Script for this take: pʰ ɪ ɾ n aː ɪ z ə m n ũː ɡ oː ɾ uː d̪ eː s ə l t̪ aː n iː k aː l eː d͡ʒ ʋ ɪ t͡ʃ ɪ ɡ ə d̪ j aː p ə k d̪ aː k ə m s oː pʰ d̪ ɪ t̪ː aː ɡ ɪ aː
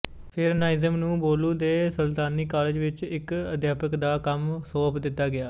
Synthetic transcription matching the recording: pʰ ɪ ɾ n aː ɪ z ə m n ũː b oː l uː d̪ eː s ə l t̪ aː n iː k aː l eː d͡ʒ ʋ ɪ t͡ʃ ɪ k ə d̪ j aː p ə k d̪ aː k ə m s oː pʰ d̪ ɪ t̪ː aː ɡ ɪ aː

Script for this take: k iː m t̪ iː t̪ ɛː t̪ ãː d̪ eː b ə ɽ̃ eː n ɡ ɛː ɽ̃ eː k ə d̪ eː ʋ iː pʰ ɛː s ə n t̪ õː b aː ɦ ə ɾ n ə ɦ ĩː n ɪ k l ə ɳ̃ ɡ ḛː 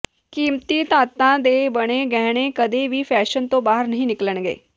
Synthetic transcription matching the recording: k iː m t̪ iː t̪ aː t̪ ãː d̪ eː b ə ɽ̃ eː ɡ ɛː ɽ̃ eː k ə d̪ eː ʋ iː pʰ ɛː ʃ ə n t̪ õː b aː ɦ ə ɾ n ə ɦ ĩː n ɪ k l ə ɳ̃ ɡ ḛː

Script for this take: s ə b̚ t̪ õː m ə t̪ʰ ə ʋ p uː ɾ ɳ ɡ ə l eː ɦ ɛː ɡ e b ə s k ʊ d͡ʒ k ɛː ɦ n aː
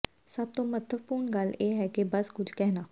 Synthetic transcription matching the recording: s ə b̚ t̪ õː m ə t̪ʰ ə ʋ p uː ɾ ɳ ɡ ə l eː ɦ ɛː k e b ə s k ʊ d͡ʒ k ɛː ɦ n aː

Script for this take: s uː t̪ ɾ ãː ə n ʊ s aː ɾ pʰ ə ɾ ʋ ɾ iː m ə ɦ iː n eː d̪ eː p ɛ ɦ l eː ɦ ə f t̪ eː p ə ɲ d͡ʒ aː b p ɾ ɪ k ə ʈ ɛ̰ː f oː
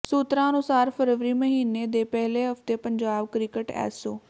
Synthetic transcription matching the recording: s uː t̪ ɾ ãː ə n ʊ s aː ɾ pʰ ə ɾ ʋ ɾ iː m ə ɦ iː n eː d̪ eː p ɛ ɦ l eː ɦ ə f t̪ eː p ə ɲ d͡ʒ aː b k ɾ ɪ k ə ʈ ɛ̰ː s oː

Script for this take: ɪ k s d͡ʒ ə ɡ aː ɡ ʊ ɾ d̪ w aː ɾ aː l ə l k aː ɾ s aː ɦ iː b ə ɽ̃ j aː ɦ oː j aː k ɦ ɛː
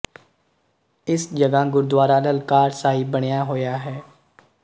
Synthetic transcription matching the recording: ɪ s d͡ʒ ə ɡ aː ɡ ʊ ɾ d̪ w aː ɾ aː l ə l k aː ɾ s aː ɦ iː b ə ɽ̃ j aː ɦ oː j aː ɦ ɛː

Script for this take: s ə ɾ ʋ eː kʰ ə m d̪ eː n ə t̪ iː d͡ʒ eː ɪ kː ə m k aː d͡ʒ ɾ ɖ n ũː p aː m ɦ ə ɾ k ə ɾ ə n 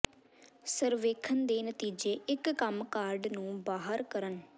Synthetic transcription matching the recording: s ə ɾ ʋ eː kʰ ə n d̪ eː n ə t̪ iː d͡ʒ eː ɪ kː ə m k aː ɾ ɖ n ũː b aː ɦ ə ɾ k ə ɾ ə n

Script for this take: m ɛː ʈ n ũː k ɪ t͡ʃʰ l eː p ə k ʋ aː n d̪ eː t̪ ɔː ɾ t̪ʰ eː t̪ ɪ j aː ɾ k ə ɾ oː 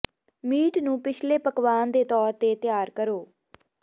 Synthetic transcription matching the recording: m iː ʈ n ũː p ɪ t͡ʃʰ l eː p ə k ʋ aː n d̪ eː t̪ ɔː ɾ t̪ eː t̪ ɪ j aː ɾ k ə ɾ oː

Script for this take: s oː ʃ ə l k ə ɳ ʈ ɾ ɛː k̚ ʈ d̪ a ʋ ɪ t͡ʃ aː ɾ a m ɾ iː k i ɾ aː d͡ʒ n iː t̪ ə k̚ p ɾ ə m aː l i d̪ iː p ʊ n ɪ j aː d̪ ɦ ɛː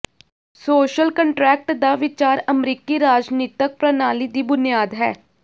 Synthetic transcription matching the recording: s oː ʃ ə l k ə ɳ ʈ ɾ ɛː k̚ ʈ d̪ a ʋ ɪ t͡ʃ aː ɾ ə m ɾ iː k i ɾ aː d͡ʒ n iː t̪ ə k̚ p ɾ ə n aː l i d̪ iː b ʊ n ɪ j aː d̪ ɦ ɛː

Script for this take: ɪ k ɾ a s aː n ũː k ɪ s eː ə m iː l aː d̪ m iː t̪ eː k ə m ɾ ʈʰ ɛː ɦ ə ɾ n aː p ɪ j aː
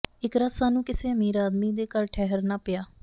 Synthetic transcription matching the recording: ɪ k ɾ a s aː n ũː k ɪ s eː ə m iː ɾ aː d̪ m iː d̪ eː k ə ɾ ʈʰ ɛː ɦ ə ɾ n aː p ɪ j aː

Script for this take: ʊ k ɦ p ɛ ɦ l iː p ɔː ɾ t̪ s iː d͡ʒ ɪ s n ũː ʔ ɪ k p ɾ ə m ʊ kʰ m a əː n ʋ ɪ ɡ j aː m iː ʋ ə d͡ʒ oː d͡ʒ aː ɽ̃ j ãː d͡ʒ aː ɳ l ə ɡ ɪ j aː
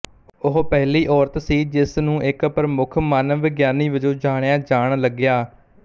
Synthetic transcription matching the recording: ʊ ɦ p ɛ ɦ l iː ʔ ɔː ɾ t̪ s iː d͡ʒ ɪ s n ũː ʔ ɪ k p ɾ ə m ʊ kʰ m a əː n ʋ ɪ ɡ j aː n iː ʋ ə d͡ʒ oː d͡ʒ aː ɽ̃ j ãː d͡ʒ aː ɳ l ə ɡ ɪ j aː

